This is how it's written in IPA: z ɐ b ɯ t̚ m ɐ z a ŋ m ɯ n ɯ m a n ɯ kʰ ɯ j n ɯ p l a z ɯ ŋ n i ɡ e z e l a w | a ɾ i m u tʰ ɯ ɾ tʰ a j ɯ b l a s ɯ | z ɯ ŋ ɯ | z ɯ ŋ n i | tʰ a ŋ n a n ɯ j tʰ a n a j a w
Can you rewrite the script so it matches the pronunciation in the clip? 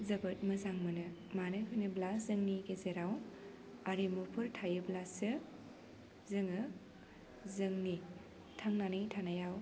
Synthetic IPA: z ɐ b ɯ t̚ m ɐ z a ŋ m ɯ n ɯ m a n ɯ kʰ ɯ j n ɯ b l a z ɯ ŋ n i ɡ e z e ɾ a w | a ɾ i m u pʰ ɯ ɾ tʰ a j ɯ b l a s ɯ | z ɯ ŋ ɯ | z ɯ ŋ n i | tʰ a ŋ n a n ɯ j tʰ a n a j a w